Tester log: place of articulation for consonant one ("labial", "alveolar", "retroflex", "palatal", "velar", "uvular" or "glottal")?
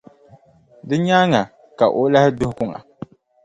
alveolar